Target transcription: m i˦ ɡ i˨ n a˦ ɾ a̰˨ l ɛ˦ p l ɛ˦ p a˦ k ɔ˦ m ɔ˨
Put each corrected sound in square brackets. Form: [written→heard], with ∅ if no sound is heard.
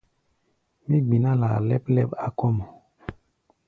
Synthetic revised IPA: m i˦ [ɡ→ɡ͡b] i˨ n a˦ [ɾ→l] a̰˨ l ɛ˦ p l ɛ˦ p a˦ k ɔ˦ m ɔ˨